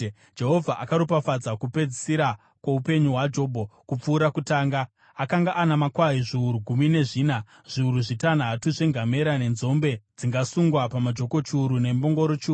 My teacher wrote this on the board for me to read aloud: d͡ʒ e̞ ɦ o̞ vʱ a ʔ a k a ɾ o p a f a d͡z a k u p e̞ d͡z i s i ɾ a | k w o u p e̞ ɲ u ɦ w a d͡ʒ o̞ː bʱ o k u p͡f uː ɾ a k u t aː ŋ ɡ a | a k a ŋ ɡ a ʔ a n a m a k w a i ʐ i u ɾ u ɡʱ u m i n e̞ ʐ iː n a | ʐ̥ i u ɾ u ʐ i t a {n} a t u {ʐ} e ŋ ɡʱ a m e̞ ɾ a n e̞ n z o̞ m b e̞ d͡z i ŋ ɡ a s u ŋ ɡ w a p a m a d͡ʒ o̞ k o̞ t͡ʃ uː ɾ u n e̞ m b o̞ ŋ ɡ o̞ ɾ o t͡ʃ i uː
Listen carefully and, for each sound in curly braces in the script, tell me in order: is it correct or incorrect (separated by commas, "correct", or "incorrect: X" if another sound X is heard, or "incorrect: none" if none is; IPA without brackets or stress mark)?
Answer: correct, correct